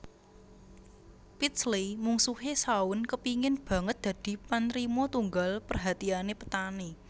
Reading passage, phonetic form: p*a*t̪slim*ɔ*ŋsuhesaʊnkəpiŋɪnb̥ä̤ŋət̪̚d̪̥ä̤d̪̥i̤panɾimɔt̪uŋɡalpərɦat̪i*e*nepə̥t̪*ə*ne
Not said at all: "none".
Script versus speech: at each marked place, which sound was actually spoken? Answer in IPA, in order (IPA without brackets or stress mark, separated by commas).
i, u, a, a